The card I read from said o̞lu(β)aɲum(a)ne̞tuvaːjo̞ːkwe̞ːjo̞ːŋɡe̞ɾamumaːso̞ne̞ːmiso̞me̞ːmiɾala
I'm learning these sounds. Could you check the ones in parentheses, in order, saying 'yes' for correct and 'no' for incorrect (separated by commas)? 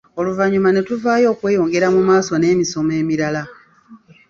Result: no, yes